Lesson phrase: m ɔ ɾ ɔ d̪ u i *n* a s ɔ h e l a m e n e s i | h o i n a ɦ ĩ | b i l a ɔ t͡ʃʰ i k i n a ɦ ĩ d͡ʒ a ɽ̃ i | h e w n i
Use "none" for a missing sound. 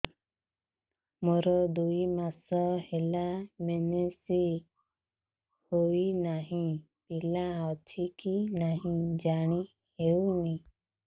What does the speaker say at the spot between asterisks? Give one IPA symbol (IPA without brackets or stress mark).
m